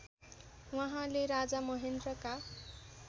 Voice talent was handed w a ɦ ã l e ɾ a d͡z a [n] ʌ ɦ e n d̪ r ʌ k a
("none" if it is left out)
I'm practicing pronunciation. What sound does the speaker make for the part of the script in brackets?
m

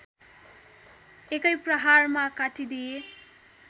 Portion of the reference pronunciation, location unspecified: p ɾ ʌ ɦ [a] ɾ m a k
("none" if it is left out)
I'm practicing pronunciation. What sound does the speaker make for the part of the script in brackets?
a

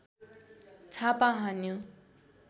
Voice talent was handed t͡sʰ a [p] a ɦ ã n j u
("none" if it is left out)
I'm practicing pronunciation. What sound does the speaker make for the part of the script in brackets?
p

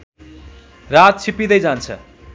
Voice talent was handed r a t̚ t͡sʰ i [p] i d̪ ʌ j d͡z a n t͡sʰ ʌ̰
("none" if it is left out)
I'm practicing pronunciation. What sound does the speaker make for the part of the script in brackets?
p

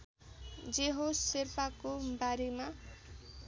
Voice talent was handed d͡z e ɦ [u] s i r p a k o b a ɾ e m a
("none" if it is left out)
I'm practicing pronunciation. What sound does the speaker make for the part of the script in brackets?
o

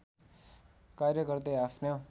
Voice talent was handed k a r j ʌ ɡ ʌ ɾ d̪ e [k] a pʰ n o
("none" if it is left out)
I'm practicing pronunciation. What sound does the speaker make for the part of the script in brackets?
none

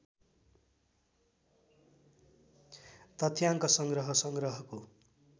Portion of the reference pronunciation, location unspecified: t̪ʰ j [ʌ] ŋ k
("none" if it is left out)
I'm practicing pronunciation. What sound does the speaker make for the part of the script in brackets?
a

